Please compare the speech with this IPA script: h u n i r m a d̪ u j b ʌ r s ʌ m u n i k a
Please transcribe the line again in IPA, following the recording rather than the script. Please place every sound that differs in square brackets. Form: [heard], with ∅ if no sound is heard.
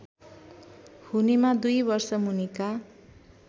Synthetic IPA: h u n i [∅] m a d̪ u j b ʌ r s ʌ m u n i k a